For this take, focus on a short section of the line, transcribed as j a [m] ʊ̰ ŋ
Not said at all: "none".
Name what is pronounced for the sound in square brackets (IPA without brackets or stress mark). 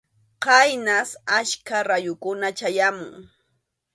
m